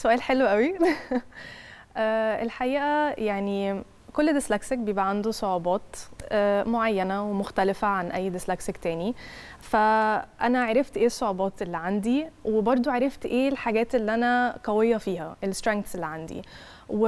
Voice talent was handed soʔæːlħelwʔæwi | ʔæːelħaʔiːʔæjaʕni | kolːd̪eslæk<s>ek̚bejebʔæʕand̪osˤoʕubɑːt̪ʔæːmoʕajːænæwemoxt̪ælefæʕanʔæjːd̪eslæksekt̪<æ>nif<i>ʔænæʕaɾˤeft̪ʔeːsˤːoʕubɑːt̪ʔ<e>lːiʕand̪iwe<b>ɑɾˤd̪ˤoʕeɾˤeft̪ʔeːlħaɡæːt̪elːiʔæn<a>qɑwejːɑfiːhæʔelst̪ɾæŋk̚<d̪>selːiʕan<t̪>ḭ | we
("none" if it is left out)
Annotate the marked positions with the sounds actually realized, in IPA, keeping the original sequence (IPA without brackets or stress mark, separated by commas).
s, æː, æ, e, b, æ, t̪, d̪